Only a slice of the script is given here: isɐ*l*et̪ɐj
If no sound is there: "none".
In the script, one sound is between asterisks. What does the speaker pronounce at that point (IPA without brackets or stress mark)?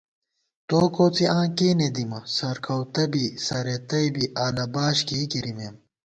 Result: ɾ